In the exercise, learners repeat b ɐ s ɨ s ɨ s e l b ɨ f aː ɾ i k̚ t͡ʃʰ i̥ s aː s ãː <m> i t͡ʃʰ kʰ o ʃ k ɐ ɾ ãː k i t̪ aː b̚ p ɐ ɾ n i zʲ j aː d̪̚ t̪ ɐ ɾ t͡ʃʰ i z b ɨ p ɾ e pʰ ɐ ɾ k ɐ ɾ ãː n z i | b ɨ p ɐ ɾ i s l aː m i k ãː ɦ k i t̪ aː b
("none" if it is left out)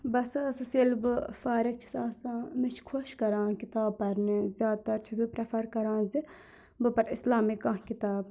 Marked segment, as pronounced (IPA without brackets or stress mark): m